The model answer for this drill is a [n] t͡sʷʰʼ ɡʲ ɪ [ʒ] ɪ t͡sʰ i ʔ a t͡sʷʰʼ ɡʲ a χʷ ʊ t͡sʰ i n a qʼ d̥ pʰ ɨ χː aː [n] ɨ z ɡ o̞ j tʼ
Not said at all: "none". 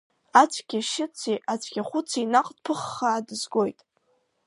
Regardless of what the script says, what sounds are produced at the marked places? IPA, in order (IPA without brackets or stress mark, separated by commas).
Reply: none, ʃ, d